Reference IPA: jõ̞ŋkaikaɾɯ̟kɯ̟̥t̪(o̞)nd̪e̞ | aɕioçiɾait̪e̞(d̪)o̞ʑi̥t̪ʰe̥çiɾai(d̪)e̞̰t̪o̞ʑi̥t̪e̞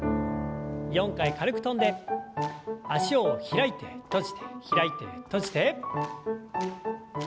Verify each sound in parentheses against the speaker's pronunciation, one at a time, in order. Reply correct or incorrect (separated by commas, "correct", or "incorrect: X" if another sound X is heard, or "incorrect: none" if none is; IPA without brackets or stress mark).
incorrect: õ̞, incorrect: t̪, incorrect: t̪